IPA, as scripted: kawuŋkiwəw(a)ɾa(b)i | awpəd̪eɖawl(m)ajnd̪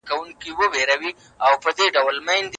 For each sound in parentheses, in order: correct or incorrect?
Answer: incorrect, incorrect, correct

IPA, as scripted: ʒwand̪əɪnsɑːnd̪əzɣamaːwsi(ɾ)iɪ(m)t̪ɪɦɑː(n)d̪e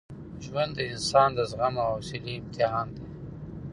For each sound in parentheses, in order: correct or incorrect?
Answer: incorrect, correct, correct

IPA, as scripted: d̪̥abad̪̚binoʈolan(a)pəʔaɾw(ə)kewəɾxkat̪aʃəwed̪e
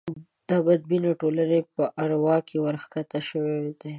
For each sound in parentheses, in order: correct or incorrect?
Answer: incorrect, incorrect

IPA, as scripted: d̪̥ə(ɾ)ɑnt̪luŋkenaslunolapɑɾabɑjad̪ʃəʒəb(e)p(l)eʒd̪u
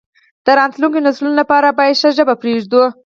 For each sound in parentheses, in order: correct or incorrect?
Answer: correct, incorrect, incorrect

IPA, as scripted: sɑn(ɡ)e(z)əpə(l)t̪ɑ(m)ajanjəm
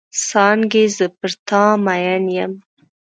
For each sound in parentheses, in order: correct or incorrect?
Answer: correct, correct, incorrect, correct

